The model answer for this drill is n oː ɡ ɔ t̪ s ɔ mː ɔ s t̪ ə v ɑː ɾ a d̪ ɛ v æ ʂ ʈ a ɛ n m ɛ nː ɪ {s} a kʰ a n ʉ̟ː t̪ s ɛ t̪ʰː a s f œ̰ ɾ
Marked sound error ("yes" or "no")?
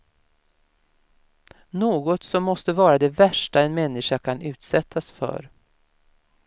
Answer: yes